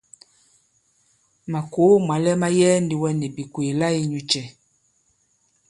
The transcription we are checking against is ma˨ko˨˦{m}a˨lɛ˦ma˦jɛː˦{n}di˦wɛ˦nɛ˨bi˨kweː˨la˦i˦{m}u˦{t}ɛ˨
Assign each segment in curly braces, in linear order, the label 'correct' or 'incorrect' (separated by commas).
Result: correct, correct, incorrect, incorrect